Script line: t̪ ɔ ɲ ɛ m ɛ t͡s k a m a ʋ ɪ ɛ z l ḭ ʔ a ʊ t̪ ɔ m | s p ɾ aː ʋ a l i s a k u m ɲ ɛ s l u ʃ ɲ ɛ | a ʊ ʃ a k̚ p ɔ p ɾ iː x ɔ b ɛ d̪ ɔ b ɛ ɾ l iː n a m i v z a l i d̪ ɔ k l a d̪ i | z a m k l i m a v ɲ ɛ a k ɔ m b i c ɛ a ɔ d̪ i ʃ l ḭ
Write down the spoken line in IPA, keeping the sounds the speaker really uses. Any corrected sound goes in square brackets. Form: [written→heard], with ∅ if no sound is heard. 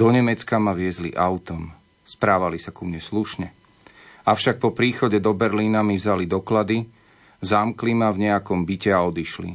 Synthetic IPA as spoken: [t̪→d̪] ɔ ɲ ɛ m ɛ t͡s k a m a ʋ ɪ ɛ z l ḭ ʔ a ʊ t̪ ɔ m | s p ɾ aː ʋ a l i s a k u m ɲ ɛ s l u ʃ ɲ ɛ | a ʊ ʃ a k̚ p ɔ p ɾ iː x ɔ [b→ɟ] ɛ d̪ ɔ b ɛ ɾ l iː n a m i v z a l i d̪ ɔ k l a d̪ i | z a m k l i m a v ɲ ɛ a k ɔ m b i c ɛ a ɔ d̪ i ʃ l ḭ